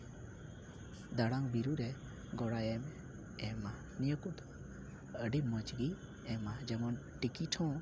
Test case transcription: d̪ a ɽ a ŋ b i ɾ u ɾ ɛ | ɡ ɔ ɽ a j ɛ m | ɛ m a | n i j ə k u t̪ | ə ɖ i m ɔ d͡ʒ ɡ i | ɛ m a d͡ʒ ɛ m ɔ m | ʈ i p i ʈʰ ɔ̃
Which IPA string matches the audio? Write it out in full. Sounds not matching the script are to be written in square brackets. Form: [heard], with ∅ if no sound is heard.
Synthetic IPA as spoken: d̪ a ɽ a ŋ b i ɾ u ɾ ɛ | ɡ ɔ ɽ a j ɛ m | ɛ m a | n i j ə k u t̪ | ə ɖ i m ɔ d͡ʒ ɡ i | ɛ m a d͡ʒ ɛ m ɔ [n] | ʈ i [k] i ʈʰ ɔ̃